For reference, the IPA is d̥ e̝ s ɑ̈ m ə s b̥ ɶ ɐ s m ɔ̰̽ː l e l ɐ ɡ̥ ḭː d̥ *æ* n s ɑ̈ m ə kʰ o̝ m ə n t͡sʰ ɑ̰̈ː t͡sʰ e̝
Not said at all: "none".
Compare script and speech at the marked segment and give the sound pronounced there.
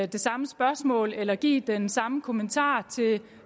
e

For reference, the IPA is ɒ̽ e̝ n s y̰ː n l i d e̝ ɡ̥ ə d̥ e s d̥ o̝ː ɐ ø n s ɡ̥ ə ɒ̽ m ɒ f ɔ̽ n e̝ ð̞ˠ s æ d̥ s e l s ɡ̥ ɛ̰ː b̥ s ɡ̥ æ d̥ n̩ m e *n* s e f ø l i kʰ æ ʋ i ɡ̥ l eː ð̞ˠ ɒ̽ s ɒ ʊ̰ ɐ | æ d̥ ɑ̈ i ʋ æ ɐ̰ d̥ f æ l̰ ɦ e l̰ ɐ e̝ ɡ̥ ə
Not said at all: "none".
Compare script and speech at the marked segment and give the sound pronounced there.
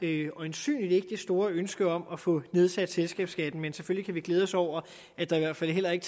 n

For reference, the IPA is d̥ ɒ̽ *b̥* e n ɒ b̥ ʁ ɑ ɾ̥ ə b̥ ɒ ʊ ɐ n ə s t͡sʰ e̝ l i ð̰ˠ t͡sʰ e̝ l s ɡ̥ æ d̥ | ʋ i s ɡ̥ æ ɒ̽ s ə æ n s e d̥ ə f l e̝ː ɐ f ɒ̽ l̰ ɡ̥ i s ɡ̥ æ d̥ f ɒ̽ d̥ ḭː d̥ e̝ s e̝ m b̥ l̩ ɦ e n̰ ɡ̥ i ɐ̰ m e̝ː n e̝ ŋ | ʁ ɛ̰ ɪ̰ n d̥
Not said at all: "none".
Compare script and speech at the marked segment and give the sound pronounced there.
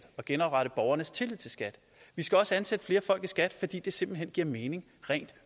ɡ̥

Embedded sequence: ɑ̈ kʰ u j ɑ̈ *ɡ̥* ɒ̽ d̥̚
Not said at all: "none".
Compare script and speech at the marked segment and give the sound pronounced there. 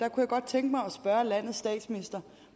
ɡ̥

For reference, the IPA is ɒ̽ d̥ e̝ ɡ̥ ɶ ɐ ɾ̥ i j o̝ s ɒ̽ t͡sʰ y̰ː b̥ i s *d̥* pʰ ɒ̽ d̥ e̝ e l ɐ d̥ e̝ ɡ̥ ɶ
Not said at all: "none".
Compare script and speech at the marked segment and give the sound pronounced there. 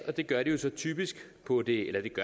ɡ̥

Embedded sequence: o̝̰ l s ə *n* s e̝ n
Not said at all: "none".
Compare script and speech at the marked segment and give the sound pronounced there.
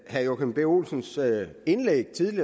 n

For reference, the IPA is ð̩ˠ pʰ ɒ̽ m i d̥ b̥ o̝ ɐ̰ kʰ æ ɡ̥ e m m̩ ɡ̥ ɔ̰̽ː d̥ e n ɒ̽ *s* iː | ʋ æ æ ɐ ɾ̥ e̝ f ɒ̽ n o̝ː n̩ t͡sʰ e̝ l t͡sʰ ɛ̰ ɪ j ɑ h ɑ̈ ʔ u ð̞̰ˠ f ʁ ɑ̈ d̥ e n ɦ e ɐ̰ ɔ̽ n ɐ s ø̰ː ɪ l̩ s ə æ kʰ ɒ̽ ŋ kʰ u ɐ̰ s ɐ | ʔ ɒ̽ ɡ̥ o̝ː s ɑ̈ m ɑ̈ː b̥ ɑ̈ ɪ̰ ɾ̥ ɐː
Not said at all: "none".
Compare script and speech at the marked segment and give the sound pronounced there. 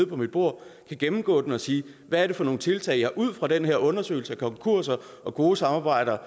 s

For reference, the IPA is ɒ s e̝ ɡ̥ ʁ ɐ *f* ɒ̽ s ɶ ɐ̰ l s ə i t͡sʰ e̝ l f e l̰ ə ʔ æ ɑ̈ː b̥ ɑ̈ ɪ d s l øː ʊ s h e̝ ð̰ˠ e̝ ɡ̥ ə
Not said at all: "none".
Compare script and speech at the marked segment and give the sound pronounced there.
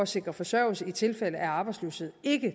f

